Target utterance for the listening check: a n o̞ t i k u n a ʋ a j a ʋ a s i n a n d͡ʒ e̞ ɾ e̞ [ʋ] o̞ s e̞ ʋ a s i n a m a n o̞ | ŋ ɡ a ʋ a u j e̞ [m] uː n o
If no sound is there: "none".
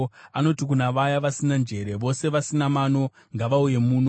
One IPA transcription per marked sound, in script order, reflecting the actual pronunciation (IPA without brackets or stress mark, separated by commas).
ʋ, m